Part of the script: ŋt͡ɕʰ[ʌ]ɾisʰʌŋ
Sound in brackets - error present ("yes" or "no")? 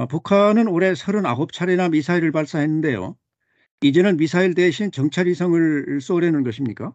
yes